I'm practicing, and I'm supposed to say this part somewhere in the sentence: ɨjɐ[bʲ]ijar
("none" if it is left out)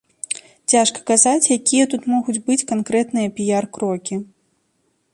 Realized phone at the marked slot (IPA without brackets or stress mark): pʲ